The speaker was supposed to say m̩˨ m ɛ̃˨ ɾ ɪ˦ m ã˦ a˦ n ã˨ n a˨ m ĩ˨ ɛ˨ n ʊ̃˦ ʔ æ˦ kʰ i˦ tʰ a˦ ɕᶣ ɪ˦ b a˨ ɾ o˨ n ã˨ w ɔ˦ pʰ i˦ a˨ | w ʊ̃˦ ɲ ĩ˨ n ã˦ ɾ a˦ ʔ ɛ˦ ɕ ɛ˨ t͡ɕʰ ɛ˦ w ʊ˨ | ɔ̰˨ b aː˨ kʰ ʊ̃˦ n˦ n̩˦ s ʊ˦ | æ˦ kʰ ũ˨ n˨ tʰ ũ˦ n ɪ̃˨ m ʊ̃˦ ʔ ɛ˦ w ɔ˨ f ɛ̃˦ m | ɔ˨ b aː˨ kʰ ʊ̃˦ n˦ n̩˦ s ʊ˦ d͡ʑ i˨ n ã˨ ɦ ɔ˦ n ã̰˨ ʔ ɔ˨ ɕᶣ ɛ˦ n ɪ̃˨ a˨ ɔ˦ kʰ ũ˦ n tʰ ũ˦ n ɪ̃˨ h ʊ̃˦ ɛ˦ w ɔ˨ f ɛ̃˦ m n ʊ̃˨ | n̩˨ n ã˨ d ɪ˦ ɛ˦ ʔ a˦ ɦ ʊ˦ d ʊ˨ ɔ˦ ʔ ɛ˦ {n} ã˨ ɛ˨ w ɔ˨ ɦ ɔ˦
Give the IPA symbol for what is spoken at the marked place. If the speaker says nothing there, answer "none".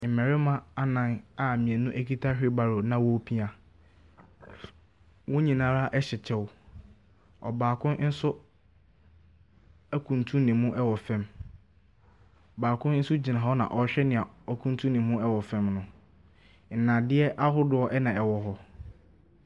n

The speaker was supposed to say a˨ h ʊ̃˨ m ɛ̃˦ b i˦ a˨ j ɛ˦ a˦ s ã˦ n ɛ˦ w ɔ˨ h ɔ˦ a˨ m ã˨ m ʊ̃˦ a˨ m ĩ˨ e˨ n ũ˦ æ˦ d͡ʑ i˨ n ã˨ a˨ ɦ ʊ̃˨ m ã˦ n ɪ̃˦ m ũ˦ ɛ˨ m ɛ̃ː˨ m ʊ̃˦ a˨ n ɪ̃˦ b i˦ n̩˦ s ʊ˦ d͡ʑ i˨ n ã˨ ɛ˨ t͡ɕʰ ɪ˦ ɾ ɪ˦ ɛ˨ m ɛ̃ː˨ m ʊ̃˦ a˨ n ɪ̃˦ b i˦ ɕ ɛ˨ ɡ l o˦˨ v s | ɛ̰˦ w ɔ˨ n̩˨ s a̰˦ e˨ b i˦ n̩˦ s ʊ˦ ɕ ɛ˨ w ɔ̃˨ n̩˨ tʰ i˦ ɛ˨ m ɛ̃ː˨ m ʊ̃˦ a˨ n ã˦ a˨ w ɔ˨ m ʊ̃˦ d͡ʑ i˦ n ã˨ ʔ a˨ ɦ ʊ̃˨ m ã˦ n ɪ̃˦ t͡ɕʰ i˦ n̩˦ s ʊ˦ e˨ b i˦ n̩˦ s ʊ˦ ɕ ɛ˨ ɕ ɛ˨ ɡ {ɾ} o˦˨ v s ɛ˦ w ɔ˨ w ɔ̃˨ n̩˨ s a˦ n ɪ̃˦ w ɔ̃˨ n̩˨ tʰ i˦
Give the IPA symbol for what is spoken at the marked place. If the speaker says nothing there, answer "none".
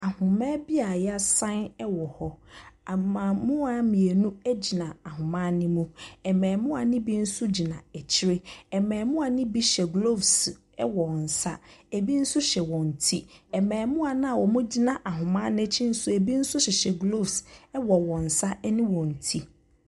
l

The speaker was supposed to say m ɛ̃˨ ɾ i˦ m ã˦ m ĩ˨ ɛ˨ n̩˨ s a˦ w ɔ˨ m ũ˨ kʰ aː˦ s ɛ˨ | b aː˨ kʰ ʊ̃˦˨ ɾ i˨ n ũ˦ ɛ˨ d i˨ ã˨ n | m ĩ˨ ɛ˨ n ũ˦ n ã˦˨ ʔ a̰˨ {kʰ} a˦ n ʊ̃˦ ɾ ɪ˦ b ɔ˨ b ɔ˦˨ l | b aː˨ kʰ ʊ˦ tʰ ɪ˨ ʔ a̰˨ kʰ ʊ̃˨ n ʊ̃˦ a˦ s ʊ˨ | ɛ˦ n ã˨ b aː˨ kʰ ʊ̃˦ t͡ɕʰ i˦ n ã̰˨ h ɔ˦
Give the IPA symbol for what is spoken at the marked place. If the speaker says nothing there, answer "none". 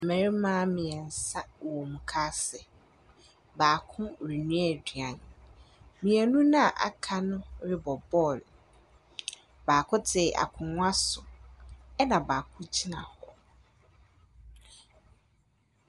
kʰ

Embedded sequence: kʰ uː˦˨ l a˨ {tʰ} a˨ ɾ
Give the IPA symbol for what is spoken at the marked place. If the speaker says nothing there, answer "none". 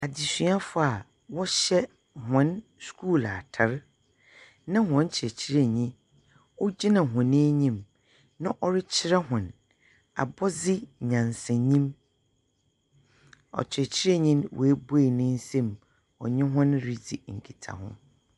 tʰ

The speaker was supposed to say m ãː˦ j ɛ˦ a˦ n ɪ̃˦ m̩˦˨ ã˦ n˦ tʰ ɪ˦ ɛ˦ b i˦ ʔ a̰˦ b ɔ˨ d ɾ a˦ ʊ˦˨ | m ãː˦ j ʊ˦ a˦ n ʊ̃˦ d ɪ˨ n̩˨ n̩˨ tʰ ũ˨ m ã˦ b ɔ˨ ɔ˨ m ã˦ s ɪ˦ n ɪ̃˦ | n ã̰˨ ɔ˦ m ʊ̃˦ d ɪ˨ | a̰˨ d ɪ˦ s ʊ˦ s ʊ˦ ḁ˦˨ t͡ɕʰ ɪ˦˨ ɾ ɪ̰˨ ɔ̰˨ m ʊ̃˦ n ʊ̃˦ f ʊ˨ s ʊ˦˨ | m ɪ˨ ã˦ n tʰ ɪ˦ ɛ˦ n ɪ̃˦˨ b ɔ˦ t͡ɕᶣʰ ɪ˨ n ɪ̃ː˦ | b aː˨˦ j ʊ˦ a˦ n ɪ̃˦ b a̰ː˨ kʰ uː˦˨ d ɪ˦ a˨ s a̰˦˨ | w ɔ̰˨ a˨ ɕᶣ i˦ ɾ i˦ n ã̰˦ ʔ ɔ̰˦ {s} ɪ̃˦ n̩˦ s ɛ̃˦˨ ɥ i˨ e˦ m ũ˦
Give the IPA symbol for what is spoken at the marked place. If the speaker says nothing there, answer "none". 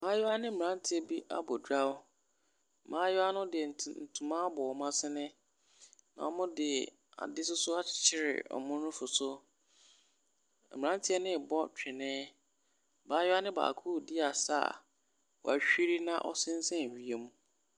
s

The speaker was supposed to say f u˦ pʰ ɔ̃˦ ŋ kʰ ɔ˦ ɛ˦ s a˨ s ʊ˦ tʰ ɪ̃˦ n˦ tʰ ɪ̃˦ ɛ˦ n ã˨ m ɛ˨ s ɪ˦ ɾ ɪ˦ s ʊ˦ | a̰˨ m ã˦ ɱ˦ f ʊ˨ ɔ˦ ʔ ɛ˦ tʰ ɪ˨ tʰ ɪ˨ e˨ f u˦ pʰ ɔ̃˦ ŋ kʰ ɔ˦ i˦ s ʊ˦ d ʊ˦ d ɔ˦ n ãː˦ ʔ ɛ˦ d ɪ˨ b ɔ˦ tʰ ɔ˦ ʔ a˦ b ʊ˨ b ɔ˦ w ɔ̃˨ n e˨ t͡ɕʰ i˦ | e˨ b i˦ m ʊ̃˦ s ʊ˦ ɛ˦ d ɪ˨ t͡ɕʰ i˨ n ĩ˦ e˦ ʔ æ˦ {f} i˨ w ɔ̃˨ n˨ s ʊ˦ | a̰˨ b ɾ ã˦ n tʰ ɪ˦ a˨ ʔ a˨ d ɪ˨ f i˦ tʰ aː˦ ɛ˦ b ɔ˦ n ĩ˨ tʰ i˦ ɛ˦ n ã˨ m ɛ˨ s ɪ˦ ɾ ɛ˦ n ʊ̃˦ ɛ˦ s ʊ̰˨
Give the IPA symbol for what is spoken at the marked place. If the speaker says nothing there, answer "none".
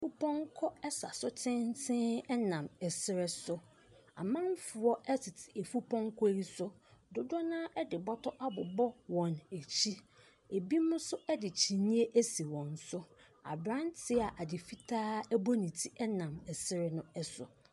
s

